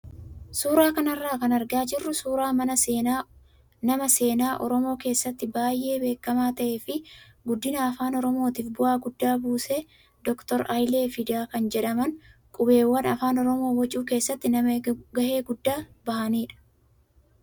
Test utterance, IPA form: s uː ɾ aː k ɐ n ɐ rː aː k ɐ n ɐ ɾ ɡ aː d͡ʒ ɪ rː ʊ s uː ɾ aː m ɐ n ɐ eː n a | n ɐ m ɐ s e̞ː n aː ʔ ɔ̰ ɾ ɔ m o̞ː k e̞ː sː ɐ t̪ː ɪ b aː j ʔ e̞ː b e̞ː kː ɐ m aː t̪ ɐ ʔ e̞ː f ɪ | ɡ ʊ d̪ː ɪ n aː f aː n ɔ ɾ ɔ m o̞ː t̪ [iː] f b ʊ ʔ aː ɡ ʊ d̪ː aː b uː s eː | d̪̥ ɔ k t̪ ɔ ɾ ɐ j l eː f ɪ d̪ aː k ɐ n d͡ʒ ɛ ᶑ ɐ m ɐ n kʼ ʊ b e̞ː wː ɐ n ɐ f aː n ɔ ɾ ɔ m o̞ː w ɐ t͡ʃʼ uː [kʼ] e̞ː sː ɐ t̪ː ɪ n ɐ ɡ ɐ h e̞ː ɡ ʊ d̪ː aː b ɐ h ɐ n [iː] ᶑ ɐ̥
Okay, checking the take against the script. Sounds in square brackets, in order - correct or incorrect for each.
correct, incorrect: k, correct

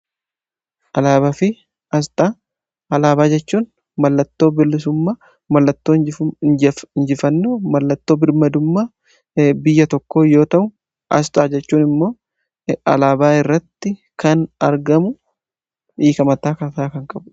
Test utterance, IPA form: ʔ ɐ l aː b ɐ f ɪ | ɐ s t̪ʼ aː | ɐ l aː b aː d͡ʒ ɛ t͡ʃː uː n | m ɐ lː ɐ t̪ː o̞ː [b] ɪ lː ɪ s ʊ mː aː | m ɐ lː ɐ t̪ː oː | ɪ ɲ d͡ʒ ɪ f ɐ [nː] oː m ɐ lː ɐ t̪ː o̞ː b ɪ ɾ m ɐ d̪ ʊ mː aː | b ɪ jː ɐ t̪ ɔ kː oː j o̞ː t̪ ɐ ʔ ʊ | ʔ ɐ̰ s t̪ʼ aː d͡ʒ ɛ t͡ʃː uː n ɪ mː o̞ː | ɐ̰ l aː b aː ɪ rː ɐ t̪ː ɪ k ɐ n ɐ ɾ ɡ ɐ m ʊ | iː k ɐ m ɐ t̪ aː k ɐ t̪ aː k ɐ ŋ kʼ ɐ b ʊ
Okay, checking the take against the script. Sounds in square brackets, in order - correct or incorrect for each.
correct, correct

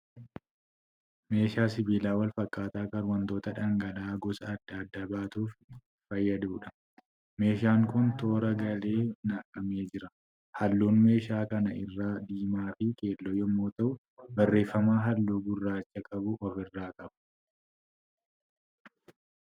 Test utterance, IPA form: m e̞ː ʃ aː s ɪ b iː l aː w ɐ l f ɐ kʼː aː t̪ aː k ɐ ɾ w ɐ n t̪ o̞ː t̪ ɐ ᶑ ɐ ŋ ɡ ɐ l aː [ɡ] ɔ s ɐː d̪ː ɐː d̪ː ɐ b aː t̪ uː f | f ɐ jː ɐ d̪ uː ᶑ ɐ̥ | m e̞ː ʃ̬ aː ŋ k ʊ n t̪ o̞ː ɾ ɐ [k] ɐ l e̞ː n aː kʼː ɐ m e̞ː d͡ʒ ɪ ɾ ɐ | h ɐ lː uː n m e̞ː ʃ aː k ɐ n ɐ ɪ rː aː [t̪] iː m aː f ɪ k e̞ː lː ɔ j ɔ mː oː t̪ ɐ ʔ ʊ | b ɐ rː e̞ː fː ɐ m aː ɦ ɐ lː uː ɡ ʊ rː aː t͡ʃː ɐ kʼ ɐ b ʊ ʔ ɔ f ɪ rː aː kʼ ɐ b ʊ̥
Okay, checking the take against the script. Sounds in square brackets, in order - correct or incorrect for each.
correct, incorrect: ɡ, incorrect: d̪

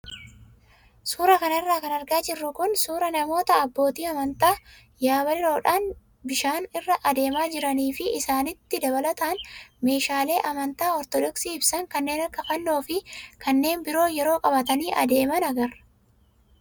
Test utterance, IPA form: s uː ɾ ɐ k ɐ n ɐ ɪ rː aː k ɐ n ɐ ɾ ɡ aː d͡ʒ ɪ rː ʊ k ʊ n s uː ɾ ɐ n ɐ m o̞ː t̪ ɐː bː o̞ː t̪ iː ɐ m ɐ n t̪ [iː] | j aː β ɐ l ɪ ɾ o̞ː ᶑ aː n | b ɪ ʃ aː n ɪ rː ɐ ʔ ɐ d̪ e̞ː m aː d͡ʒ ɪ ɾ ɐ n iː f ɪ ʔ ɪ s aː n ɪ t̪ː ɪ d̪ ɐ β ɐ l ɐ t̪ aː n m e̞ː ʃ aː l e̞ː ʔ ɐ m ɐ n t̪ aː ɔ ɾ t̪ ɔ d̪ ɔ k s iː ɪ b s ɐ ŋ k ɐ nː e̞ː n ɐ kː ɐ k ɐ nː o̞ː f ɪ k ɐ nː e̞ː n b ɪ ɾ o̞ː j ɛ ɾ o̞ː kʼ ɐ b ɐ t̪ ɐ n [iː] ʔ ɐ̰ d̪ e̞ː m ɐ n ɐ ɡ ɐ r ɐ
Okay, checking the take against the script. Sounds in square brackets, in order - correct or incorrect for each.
incorrect: aː, correct

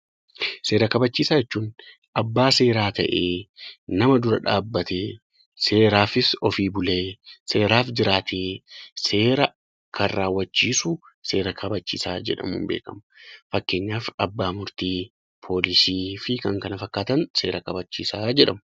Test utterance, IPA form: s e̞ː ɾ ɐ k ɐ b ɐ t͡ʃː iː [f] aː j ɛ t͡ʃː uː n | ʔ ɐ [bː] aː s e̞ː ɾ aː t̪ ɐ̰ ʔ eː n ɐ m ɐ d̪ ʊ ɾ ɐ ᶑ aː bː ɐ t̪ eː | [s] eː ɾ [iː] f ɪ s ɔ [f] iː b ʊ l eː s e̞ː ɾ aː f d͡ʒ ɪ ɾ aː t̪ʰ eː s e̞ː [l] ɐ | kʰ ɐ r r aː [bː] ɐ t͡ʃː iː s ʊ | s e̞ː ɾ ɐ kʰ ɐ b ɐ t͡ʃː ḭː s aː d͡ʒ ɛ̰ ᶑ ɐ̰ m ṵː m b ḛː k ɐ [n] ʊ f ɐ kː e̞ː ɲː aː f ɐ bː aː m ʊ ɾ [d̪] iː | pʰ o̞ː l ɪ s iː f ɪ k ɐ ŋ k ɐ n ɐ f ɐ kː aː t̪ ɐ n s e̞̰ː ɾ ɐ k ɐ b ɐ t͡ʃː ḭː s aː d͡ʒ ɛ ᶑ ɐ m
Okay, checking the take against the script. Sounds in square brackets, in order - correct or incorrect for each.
incorrect: s, correct, correct, incorrect: aː, correct, incorrect: ɾ, incorrect: wː, incorrect: m, incorrect: t̪

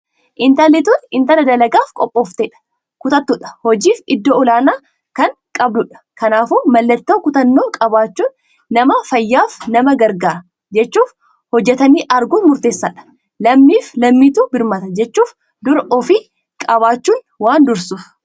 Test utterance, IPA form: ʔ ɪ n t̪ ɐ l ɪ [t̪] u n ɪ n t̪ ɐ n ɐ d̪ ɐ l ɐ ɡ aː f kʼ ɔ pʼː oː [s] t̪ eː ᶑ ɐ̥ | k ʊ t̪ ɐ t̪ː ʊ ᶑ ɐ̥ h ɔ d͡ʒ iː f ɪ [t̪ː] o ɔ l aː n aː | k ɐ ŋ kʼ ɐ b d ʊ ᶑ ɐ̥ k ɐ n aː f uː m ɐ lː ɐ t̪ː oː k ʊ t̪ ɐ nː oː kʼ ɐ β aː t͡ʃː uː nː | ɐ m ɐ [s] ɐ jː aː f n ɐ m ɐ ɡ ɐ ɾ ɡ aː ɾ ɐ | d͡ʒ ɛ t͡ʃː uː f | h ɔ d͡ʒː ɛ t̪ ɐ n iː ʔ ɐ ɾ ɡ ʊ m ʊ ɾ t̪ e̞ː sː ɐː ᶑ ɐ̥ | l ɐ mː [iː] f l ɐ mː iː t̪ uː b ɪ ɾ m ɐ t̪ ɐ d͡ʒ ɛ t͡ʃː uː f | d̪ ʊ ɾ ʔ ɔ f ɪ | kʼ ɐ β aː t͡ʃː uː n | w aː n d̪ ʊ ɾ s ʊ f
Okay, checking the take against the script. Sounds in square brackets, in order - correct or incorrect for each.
correct, incorrect: f, incorrect: d̪ː, incorrect: f, correct

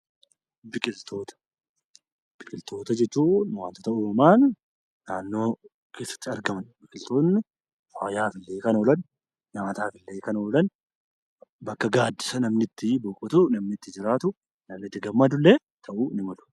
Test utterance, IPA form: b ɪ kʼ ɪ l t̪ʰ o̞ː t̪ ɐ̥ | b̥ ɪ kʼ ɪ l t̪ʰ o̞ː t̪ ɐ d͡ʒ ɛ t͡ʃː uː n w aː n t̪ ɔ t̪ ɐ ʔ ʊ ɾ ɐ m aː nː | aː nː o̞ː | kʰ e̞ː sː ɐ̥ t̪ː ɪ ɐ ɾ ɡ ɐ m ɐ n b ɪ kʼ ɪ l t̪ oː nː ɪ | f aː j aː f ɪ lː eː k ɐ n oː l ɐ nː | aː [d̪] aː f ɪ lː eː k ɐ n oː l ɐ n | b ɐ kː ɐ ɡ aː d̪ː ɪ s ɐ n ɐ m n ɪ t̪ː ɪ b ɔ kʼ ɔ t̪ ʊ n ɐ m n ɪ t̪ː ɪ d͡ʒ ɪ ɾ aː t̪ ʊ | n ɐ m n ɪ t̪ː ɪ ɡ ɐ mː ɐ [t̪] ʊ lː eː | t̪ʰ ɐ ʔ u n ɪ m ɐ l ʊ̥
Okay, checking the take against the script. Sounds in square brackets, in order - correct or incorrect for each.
incorrect: t̪, incorrect: d̪

